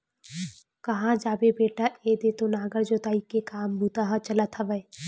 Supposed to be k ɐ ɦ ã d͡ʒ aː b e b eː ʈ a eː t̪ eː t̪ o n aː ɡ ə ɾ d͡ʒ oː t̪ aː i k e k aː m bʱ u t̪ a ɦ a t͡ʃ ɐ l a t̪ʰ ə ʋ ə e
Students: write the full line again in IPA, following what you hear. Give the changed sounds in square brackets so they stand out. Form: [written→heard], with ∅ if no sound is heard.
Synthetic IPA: k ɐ ɦ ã d͡ʒ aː b e b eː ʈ a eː [t̪→d̪] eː t̪ o n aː ɡ ə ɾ d͡ʒ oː t̪ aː i k e k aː m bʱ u t̪ a ɦ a t͡ʃ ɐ l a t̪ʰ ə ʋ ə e